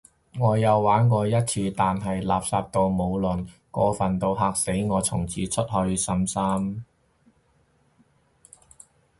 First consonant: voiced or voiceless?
voiced